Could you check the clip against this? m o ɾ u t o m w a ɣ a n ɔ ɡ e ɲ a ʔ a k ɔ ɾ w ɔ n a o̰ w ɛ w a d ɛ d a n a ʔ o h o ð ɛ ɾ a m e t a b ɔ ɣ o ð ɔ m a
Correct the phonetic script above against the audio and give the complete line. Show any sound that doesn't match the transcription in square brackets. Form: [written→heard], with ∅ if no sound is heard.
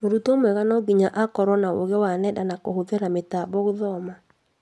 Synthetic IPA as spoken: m o ɾ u t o m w [a→ɛ] ɣ a n ɔ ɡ [e→i] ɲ a ʔ a k ɔ ɾ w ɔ n a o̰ [w→ɣ] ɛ w a [d→n] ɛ d a n a [ʔ→k] o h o ð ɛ ɾ a m e t a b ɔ ɣ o ð ɔ m a